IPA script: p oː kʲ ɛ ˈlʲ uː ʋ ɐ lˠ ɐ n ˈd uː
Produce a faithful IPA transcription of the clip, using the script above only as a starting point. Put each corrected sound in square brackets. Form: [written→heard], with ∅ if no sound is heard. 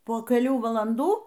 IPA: p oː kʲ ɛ ˈlʲ uː ʋ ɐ lˠ ɐ n ˈd uː

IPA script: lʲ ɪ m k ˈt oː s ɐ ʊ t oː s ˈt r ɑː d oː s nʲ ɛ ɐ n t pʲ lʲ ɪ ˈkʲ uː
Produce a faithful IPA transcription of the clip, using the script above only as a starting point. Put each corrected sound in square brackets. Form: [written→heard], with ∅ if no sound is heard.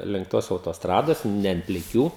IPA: lʲ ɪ [m→ŋ] k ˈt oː s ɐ ʊ t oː s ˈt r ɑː d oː s nʲ ɛ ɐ n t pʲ lʲ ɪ ˈkʲ uː

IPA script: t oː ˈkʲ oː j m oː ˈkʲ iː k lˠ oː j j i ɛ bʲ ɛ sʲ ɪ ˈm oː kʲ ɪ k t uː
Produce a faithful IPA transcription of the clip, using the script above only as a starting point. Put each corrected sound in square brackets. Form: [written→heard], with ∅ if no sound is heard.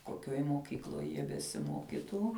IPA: [t→k] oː ˈkʲ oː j m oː ˈkʲ iː k lˠ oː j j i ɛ bʲ ɛ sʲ ɪ ˈm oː kʲ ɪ [k→∅] t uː

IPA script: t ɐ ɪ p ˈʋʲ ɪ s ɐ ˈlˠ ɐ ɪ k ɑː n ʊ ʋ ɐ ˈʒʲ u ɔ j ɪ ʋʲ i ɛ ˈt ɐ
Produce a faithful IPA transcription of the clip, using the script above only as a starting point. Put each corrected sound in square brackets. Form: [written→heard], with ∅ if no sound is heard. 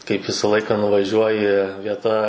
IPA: [t→k] ɐ ɪ p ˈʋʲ ɪ s ɐ ˈlˠ ɐ ɪ k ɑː n ʊ ʋ ɐ ˈʒʲ u ɔ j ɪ ʋʲ i ɛ ˈt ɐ

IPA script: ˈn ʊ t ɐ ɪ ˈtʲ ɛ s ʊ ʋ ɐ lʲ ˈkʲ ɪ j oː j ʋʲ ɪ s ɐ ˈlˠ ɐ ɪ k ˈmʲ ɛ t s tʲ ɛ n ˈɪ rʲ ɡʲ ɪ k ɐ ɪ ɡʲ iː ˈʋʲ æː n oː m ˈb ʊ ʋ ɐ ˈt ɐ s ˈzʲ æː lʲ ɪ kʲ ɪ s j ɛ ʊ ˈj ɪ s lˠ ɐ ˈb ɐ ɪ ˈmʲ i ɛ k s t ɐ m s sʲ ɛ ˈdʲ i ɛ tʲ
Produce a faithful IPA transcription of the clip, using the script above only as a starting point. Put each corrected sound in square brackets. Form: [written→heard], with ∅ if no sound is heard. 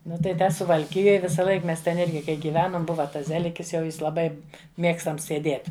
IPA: ˈn ʊ t ɐ ɪ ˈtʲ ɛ s ʊ ʋ ɐ lʲ ˈkʲ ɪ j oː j ʋʲ ɪ s ɐ ˈlˠ ɐ ɪ k ˈmʲ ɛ [t→∅] s tʲ ɛ n ˈɪ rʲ ɡʲ ɪ k ɐ ɪ ɡʲ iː ˈʋʲ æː n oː m ˈb ʊ ʋ ɐ ˈt ɐ s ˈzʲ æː lʲ ɪ kʲ ɪ s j ɛ ʊ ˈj ɪ s lˠ ɐ ˈb ɐ ɪ ˈmʲ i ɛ k s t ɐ m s sʲ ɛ ˈdʲ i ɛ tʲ

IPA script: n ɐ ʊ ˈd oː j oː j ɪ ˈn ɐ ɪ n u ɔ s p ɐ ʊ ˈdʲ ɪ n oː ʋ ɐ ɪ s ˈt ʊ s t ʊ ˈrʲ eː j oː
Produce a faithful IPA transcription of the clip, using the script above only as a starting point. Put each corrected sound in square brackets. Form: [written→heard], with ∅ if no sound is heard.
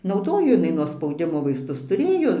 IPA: n ɐ ʊ ˈd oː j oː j ɪ ˈn ɐ ɪ n u ɔ s p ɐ ʊ ˈdʲ ɪ [n→m] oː ʋ ɐ ɪ s ˈt ʊ s t ʊ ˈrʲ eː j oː

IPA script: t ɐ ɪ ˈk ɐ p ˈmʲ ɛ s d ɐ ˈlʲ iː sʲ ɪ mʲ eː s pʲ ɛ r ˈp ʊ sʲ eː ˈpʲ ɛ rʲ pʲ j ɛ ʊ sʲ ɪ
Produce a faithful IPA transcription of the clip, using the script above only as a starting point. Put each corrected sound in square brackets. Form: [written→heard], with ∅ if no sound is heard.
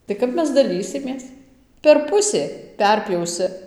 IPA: t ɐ ɪ ˈk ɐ p ˈmʲ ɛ s d ɐ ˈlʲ iː sʲ ɪ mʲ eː s pʲ ɛ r ˈp ʊ sʲ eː ˈpʲ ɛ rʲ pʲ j ɛ ʊ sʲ ɪ

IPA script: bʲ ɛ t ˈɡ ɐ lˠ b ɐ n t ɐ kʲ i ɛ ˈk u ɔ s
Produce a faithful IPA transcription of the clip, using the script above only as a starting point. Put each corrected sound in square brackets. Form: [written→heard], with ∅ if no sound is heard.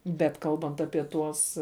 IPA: bʲ ɛ t [ˈɡ→ˈk] ɐ lˠ b ɐ n t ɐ [kʲ→pʲ] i ɛ [ˈk→ˈt] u ɔ s

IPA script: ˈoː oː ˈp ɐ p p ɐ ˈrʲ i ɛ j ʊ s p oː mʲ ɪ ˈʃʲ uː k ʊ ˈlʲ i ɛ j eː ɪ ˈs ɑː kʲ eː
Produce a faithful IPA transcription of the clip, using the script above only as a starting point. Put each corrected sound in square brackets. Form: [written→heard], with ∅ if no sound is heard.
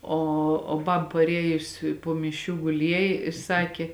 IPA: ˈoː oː [ˈp→ˈb] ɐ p p ɐ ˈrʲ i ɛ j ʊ s p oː mʲ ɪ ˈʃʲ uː [k→ɡ] ʊ ˈlʲ i ɛ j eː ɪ ˈs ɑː kʲ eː

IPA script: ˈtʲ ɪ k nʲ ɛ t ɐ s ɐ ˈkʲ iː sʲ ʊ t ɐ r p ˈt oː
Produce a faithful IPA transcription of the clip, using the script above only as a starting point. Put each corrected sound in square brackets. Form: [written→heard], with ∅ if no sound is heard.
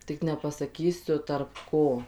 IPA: ˈtʲ ɪ k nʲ ɛ [t→p] ɐ s ɐ ˈkʲ iː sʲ ʊ t ɐ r p [ˈt→ˈk] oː

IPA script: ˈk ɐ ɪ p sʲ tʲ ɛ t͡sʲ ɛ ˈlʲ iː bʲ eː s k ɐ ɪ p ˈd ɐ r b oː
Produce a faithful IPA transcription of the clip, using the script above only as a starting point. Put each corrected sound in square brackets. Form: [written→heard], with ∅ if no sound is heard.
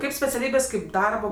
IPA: ˈk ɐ ɪ p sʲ [tʲ→pʲ] ɛ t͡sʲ ɛ ˈlʲ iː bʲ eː s k ɐ ɪ p ˈd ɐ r b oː

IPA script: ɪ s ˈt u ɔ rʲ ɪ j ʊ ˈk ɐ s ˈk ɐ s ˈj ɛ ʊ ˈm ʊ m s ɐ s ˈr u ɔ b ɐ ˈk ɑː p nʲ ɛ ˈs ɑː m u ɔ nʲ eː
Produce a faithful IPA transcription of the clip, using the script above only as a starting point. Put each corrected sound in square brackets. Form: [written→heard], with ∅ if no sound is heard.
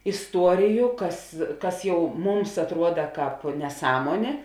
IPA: ɪ s ˈt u ɔ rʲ ɪ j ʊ ˈk ɐ s ˈk ɐ s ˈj ɛ ʊ ˈm ʊ m s ɐ [s→t] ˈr u ɔ [b→d] ɐ ˈk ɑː p nʲ ɛ ˈs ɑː m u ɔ nʲ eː

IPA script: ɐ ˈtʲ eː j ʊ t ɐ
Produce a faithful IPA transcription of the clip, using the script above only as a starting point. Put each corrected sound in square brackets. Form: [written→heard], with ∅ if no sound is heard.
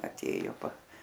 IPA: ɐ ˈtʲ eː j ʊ [t→p] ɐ

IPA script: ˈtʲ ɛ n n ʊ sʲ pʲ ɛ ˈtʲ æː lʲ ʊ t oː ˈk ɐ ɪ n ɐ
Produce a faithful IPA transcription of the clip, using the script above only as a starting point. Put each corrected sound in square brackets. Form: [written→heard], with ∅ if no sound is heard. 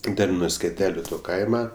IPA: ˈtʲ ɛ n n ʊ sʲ [pʲ→kʲ] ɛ ˈtʲ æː lʲ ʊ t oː ˈk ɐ ɪ [n→m] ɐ

